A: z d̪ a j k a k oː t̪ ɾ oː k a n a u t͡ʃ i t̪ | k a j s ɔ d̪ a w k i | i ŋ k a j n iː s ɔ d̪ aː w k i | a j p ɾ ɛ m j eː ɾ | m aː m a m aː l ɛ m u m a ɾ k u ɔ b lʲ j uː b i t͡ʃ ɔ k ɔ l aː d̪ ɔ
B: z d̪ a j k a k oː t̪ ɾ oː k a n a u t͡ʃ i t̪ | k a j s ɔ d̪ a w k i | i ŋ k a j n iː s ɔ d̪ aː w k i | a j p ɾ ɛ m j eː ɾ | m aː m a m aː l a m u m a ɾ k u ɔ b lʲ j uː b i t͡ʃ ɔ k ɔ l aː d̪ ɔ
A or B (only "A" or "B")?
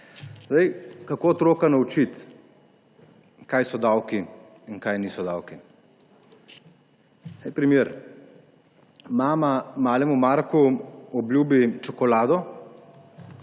A